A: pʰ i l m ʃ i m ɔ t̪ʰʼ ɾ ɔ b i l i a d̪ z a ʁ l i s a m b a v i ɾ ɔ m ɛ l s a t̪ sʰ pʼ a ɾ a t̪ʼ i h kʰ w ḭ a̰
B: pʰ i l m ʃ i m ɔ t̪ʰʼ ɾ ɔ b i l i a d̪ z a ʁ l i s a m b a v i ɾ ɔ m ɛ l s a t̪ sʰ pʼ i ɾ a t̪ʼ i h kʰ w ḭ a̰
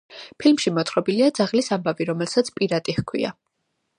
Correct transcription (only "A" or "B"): B